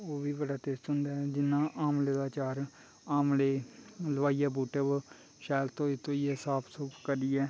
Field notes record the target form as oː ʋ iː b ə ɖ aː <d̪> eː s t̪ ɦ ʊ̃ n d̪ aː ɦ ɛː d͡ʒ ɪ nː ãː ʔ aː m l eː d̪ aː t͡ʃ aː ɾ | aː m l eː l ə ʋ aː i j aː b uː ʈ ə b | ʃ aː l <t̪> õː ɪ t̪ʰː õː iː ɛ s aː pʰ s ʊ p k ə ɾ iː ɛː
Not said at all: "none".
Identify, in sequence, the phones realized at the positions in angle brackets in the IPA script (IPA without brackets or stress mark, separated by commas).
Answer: t̪, t̪